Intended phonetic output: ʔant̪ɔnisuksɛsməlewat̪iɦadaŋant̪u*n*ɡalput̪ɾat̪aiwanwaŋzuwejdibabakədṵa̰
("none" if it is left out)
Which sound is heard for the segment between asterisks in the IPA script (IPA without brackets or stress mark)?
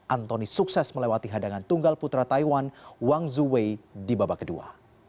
ŋ